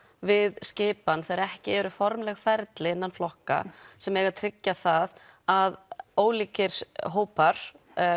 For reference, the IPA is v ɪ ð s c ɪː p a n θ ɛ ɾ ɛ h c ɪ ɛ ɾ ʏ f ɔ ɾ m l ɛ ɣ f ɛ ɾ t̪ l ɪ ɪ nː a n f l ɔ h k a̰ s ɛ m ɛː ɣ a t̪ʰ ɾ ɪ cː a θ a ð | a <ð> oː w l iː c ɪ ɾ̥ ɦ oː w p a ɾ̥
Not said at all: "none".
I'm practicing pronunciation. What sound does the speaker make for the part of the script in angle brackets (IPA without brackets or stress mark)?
ð